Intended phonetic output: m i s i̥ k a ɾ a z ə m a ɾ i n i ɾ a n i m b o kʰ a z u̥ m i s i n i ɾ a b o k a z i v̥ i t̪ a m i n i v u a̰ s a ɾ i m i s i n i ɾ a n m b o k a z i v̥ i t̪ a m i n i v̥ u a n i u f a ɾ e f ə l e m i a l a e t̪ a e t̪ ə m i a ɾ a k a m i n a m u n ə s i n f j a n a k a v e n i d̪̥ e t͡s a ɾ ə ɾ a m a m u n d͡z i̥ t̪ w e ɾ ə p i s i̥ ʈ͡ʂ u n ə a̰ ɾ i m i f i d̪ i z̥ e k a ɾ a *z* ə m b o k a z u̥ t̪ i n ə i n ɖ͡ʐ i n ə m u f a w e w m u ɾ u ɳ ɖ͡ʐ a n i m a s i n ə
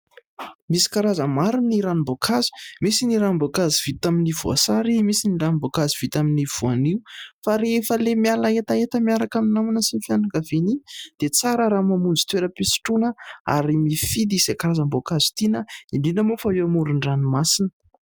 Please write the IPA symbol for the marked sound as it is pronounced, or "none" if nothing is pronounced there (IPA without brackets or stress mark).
z